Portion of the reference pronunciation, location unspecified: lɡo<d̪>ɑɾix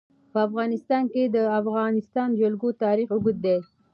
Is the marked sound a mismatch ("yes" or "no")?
yes